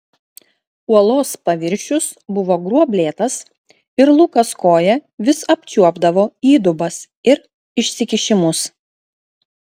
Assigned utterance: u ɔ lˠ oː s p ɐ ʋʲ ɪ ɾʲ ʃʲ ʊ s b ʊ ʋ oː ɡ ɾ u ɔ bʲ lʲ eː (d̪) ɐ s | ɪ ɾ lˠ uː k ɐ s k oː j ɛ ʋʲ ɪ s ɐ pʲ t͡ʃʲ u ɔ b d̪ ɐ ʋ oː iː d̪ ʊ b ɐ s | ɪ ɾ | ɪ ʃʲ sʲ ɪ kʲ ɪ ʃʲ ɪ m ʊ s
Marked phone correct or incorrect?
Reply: incorrect: t̪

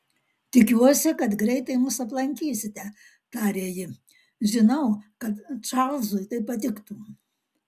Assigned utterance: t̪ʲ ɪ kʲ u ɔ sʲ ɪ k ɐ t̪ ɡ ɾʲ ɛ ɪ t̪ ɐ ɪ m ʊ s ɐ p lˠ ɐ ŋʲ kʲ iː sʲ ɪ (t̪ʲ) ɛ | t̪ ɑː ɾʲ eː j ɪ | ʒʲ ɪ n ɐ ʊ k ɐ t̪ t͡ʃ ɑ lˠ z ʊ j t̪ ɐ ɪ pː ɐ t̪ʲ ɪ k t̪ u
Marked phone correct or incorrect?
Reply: correct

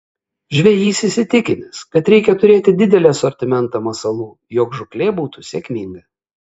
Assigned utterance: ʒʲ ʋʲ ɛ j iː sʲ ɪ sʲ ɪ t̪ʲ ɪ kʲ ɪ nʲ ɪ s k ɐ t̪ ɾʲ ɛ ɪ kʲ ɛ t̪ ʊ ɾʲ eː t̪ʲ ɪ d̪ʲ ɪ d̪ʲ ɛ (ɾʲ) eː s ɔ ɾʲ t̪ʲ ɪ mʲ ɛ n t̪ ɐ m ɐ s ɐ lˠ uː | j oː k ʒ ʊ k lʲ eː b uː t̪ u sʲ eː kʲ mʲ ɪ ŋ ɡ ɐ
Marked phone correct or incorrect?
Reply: incorrect: lʲ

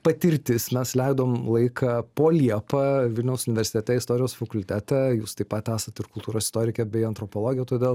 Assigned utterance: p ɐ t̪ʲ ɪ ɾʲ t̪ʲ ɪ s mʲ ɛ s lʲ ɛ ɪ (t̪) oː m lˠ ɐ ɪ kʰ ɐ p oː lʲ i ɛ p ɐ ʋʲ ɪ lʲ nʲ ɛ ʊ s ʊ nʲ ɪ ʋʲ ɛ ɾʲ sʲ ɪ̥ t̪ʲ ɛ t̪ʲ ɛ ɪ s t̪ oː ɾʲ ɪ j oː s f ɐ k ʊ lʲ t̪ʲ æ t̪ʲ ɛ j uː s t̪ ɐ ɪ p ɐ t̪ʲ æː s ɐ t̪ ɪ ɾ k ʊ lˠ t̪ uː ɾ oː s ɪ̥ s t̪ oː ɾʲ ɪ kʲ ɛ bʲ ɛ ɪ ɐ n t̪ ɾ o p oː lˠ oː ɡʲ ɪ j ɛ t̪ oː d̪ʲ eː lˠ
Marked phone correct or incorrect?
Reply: incorrect: d̪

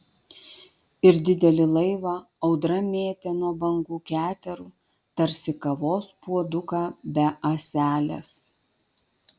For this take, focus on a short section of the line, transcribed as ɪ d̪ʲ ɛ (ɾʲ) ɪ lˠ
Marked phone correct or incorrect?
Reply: incorrect: lʲ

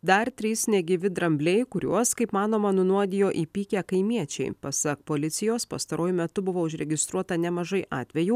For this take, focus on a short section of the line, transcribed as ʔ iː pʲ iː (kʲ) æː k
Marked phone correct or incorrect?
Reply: correct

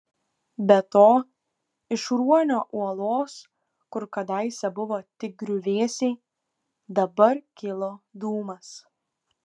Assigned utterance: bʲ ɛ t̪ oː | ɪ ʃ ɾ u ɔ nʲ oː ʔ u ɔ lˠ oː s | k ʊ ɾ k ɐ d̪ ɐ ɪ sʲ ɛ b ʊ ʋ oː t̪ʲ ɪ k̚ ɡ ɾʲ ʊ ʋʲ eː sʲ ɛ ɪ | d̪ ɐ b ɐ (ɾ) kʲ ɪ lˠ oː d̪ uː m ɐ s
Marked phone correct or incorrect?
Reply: correct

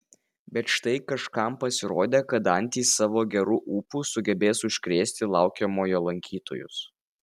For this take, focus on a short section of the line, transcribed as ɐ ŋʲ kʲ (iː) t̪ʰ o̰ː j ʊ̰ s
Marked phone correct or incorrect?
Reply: correct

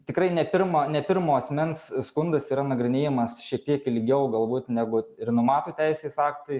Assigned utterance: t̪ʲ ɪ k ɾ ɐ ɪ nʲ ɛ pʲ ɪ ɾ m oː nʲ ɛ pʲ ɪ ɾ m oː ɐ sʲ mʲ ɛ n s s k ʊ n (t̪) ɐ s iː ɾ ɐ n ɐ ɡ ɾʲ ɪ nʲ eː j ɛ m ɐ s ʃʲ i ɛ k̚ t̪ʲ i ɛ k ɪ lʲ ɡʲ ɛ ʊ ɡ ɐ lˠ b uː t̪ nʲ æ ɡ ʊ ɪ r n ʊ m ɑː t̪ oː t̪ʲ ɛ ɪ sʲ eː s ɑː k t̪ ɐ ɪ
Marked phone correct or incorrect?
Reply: incorrect: d̪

